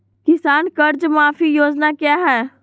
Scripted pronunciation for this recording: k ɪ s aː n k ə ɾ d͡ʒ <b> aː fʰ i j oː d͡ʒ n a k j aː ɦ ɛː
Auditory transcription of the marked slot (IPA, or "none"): m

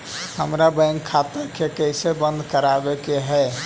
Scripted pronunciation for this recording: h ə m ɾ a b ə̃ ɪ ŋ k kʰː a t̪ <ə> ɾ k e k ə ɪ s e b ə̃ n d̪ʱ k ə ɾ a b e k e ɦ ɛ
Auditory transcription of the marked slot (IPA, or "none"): ə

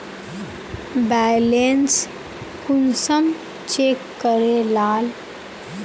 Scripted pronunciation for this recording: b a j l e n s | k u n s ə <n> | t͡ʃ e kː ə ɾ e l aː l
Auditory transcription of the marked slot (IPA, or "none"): m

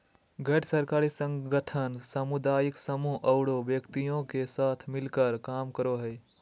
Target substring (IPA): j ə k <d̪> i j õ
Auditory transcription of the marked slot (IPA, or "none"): t̪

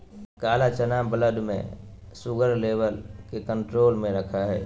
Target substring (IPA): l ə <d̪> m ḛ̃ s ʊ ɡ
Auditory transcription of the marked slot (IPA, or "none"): d̪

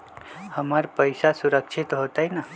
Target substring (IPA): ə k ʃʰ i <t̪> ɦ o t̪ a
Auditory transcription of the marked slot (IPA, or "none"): t̪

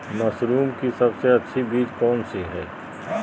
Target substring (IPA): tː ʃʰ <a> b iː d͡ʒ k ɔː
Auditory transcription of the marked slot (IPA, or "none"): i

